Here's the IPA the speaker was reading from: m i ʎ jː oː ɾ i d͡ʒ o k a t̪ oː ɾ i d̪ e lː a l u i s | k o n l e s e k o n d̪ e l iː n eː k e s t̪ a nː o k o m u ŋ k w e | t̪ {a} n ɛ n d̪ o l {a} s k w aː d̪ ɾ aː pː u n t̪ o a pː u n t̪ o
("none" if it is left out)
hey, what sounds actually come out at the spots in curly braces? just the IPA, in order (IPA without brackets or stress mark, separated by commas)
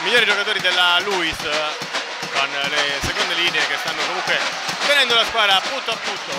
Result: e, a